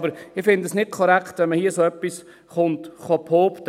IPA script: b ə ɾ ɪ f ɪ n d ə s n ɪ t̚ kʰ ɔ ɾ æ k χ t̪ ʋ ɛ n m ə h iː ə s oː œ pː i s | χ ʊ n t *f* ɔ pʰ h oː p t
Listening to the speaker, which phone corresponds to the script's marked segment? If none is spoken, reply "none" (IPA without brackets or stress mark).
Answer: χ